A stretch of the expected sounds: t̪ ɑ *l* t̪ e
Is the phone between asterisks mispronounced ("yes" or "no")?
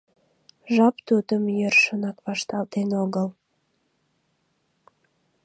no